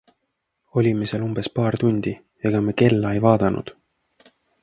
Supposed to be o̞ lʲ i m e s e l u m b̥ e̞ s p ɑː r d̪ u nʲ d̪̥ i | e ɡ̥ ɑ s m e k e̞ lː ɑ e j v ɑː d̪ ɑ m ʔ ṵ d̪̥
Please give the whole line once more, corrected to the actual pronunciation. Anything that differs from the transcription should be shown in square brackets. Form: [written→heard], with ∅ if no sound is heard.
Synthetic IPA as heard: o̞ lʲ i m e s e l u m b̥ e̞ s p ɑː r [d̪→t̪] u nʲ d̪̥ i | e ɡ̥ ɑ [s→∅] m e k e̞ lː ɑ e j v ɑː d̪ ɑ [m→n] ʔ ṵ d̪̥